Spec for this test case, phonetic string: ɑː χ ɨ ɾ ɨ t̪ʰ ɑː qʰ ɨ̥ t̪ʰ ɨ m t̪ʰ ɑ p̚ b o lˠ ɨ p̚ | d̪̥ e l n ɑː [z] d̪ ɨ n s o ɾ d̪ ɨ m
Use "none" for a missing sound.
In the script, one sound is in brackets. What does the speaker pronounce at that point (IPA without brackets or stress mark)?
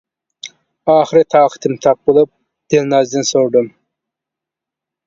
z